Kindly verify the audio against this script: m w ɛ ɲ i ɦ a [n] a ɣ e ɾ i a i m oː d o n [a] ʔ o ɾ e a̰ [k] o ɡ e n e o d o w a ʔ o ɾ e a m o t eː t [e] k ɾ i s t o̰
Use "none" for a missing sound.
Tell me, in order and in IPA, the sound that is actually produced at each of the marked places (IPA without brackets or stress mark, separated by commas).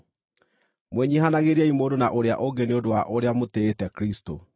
n, a, ʔ, ɛ